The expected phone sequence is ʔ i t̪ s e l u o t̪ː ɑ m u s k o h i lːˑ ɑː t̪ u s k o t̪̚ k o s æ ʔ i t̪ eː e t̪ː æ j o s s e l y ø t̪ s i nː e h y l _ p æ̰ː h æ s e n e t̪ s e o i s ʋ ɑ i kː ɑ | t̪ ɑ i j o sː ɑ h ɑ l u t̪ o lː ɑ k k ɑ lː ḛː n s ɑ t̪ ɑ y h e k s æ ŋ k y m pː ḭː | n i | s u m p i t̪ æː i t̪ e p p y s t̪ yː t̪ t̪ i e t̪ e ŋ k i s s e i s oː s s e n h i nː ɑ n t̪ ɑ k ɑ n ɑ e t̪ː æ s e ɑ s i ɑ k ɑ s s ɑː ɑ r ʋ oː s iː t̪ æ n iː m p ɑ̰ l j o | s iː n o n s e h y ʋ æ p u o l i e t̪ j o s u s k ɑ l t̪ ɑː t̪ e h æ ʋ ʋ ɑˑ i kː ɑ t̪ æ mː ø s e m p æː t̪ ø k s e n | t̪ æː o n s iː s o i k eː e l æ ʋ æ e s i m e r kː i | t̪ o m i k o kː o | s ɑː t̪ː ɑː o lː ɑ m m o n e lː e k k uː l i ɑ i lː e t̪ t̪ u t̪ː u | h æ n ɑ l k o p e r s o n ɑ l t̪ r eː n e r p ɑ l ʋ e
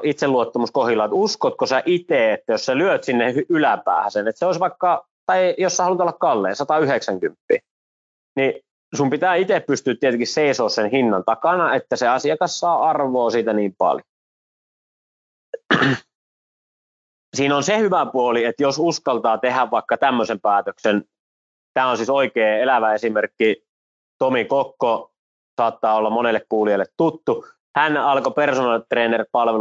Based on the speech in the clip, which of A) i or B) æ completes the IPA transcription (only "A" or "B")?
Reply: B